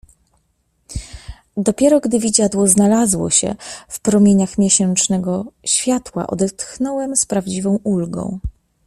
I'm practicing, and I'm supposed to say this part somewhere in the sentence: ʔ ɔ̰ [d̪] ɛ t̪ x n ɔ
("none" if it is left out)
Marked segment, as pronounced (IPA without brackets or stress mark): d̪